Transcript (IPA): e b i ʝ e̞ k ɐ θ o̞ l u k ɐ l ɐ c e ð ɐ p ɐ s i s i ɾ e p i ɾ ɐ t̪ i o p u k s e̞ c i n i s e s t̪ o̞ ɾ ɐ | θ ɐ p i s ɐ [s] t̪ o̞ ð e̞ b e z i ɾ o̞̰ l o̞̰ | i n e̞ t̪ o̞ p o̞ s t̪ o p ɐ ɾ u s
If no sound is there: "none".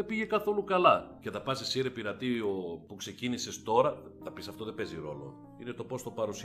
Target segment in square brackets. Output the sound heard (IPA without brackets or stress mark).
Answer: f